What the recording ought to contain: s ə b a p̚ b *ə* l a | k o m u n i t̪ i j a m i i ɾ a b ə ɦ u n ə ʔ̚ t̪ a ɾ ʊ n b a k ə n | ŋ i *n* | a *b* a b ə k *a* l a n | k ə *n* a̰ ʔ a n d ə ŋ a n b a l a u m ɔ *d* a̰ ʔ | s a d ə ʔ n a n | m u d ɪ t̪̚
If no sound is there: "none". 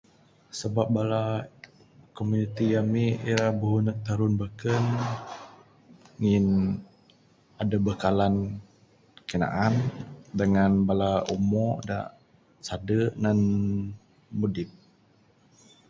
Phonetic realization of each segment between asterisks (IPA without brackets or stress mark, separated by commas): a, n, d, a, n, d